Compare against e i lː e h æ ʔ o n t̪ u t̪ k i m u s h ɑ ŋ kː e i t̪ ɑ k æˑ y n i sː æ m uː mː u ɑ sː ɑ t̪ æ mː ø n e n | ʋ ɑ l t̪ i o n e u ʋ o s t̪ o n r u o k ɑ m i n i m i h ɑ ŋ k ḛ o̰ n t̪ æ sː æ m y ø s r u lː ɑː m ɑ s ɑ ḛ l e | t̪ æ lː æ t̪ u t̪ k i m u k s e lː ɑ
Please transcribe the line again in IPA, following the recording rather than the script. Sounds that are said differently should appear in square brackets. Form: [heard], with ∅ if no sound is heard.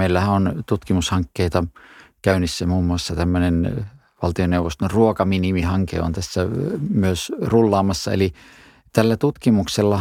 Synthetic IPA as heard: e i lː [æ] h æ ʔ o n t̪ u t̪ k i m u s h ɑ ŋ kː e i t̪ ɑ k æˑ y n i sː æ m uː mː u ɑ sː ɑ t̪ æ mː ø n e n | ʋ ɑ l t̪ i o n e u ʋ o s t̪ o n r u o k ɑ m i n i m i h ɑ ŋ k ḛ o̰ n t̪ æ sː æ m y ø s r u lː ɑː m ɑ [sː] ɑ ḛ l [i] | t̪ æ lː æ t̪ u t̪ k i m u k s e lː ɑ